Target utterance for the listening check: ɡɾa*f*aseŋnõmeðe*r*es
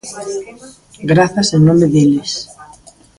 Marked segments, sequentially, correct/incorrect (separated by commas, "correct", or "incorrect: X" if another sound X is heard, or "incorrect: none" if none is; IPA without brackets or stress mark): incorrect: θ, incorrect: l